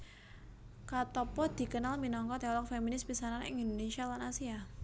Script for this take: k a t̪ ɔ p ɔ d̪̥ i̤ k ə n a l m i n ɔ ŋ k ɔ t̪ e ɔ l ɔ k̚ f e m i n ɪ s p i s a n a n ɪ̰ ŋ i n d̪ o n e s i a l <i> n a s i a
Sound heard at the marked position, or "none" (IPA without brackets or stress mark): a